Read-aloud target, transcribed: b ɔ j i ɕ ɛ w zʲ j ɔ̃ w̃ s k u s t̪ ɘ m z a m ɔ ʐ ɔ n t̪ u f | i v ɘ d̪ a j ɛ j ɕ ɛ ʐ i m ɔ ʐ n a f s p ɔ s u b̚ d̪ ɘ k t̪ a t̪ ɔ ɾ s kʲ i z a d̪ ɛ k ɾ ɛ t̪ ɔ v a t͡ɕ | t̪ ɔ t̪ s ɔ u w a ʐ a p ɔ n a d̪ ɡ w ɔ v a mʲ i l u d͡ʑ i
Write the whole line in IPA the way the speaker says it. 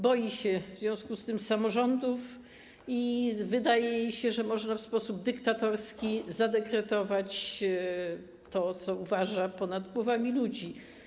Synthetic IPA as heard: b ɔ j i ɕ ɛ v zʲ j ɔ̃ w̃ s k u s t̪ ɘ m s a m ɔ ʐ ɔ n d̪ u f | i v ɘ d̪ a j ɛ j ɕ ɛ ʐ ɛ m ɔ ʐ n a f s p ɔ s u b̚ d̪ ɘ k t̪ a t̪ ɔ ɾ s kʲ i z a d̪ ɛ k ɾ ɛ t̪ ɔ v a t͡ɕ | t̪ ɔ t̪ s ɔ u v a ʐ a p ɔ n a d̪ ɡ w ɔ v a mʲ i l u d͡ʑ i